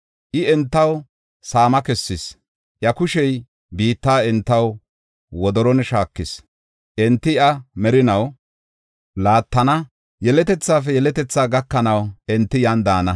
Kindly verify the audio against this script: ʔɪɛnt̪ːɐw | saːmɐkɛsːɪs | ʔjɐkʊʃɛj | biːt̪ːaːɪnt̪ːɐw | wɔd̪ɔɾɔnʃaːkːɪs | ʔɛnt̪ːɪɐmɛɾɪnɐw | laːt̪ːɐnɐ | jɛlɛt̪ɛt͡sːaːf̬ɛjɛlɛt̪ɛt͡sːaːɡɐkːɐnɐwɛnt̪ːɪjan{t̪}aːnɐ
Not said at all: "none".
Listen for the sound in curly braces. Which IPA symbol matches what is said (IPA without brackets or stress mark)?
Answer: d̪